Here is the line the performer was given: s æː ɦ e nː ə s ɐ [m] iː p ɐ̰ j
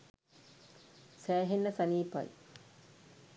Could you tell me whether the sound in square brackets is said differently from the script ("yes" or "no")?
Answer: yes